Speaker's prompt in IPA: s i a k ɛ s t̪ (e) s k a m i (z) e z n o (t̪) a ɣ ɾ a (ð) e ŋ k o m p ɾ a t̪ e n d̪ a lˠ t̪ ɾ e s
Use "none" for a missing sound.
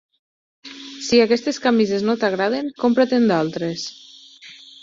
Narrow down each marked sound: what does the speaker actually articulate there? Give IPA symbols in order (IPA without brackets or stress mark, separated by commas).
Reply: e, z, t̪, ð